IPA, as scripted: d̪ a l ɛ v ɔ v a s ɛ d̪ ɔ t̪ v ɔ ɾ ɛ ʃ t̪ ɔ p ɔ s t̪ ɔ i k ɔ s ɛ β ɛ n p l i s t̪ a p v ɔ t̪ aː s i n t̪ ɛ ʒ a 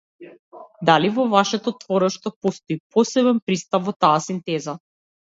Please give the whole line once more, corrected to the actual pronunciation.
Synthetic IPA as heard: d̪ a l i v ɔ v a ʃ ɛ t̪ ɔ t̪ v ɔ ɾ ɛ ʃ t̪ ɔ p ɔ s t̪ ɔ i p ɔ s ɛ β ɛ n p ɾ i s t̪ a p v ɔ t̪ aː s i n t̪ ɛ z a